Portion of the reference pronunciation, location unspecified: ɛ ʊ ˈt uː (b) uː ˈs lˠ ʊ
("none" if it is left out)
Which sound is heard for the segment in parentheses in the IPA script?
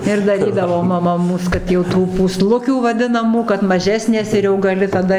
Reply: p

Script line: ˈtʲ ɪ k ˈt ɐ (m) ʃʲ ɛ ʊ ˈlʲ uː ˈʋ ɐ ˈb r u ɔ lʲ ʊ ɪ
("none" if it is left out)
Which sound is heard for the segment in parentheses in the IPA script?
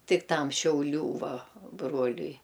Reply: m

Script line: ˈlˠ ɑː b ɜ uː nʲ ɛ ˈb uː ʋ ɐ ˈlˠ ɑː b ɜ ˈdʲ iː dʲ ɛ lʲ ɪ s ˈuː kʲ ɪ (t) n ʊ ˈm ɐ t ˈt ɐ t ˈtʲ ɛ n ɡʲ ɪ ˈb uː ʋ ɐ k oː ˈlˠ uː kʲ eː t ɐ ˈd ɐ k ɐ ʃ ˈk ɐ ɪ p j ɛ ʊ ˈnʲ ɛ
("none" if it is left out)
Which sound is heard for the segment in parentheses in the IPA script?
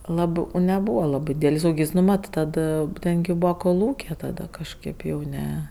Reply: s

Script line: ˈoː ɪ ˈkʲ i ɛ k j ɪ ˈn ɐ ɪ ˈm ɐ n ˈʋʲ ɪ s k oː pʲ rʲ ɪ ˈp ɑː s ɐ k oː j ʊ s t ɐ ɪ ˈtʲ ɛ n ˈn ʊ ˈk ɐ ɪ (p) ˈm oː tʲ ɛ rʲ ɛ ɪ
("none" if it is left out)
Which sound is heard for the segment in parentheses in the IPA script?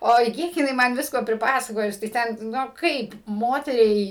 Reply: p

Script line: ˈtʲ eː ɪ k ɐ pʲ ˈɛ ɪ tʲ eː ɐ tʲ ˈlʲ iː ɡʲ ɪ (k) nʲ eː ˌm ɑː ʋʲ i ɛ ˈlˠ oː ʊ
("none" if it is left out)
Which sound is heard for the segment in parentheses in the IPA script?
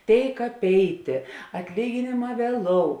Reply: none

